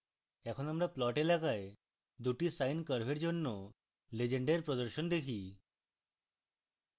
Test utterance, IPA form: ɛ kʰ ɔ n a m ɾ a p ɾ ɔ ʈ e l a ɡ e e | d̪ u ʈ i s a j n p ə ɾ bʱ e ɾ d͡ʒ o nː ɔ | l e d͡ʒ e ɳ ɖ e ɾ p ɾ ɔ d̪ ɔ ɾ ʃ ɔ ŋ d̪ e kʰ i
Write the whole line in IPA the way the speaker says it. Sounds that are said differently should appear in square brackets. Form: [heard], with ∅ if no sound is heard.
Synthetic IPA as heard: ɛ kʰ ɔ n a m ɾ a p [l] ɔ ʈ e l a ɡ [a] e | d̪ u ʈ i s a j n [k] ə ɾ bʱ e ɾ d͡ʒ o nː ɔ | l e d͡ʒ e ɳ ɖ e ɾ p ɾ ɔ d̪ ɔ ɾ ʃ ɔ [n] d̪ e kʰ i